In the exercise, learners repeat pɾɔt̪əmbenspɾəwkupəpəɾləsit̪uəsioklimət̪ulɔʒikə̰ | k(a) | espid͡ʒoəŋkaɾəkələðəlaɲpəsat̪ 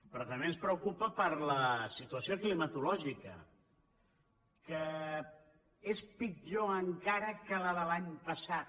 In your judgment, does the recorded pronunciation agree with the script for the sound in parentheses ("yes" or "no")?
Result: no